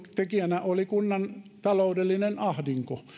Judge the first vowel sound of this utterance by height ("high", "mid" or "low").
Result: mid